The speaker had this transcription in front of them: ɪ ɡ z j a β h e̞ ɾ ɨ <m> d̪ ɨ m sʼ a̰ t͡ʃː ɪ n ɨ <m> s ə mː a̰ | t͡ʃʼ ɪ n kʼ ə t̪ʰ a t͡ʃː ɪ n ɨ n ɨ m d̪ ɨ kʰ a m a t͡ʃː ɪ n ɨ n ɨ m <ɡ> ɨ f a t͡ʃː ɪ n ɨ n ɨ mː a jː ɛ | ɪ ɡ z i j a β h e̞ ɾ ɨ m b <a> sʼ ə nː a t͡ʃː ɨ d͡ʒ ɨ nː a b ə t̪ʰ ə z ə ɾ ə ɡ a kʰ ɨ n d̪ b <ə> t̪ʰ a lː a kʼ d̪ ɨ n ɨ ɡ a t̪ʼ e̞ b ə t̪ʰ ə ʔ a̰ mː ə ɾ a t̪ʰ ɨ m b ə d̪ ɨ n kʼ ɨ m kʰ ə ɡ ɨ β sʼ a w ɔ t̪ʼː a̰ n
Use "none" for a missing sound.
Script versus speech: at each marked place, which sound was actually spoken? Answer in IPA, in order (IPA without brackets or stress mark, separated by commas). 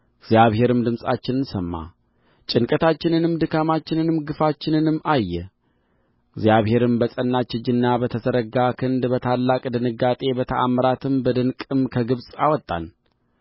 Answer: m, n, ɡ, ə, ə